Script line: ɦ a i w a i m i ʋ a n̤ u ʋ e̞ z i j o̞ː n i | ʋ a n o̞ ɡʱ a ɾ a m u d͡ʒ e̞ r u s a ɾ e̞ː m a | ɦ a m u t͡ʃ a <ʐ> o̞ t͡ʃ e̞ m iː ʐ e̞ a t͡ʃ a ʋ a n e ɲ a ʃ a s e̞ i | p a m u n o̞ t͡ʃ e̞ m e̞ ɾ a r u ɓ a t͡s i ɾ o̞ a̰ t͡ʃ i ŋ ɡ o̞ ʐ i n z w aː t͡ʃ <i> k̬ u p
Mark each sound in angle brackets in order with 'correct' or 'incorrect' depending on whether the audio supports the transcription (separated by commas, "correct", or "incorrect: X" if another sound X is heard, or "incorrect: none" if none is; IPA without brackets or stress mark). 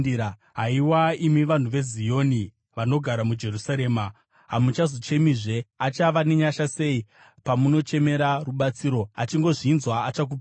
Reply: incorrect: z, incorrect: a